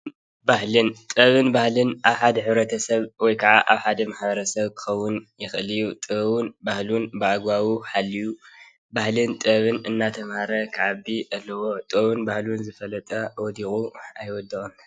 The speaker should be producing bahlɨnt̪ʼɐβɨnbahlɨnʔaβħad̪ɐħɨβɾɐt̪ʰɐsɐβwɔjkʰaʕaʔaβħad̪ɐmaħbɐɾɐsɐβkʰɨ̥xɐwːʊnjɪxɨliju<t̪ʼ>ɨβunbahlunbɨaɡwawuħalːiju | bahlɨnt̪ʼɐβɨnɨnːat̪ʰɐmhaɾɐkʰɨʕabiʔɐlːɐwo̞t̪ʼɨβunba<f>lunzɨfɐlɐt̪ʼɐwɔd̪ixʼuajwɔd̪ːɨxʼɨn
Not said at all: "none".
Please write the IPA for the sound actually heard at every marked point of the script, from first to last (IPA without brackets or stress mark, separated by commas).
t̪ʼ, h